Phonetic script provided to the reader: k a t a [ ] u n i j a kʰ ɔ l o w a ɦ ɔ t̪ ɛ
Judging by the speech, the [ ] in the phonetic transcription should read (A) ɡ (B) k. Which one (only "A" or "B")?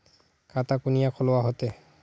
B